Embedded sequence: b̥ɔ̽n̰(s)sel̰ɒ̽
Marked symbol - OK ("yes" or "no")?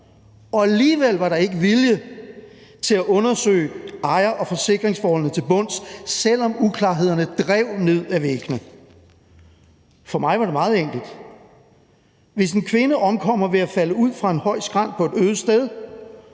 yes